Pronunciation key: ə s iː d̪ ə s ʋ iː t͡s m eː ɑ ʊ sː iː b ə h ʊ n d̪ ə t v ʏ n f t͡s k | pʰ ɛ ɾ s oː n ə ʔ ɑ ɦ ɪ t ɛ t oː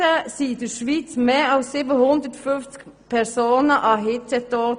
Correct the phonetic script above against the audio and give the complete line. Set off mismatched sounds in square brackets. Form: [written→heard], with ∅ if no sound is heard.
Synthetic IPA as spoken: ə s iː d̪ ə [s→ʃ] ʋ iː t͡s m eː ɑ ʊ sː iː b ə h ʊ n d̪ ə t [v→f] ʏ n f t͡s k | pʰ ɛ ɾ s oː n ə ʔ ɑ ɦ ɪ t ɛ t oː